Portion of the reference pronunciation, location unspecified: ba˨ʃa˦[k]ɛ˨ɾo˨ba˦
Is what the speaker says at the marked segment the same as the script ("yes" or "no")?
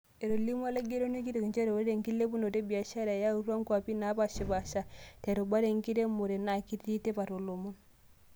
no